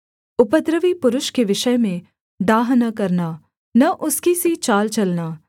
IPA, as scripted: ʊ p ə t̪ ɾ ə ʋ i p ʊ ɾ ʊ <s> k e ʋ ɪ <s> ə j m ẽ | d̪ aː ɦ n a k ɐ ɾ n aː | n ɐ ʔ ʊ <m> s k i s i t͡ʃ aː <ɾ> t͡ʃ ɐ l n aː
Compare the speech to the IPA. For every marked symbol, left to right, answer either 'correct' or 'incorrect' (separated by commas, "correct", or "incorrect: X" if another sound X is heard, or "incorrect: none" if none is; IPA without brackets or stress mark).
incorrect: ʃ, incorrect: ʃ, incorrect: none, incorrect: l